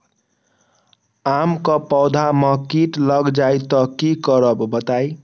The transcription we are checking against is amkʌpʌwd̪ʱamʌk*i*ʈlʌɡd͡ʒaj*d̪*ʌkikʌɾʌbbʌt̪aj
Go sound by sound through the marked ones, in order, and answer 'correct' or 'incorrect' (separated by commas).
correct, incorrect